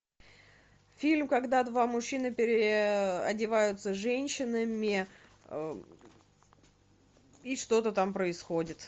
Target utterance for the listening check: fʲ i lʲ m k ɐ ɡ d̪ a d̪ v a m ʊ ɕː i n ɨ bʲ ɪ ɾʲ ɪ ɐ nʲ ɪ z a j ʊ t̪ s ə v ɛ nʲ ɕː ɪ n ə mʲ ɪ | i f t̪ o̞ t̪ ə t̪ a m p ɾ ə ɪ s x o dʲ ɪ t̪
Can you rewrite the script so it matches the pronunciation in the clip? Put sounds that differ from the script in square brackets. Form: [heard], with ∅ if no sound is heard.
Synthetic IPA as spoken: fʲ i lʲ m k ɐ ɡ d̪ a d̪ v a m ʊ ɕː i n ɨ [pʲ] ɪ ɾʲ ɪ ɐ [dʲ] ɪ [v] a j ʊ t̪ s ə [ʐ] ɛ nʲ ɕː ɪ n ə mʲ ɪ | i [ʂ] t̪ o̞ t̪ ə t̪ a m p ɾ ə ɪ s x o dʲ ɪ t̪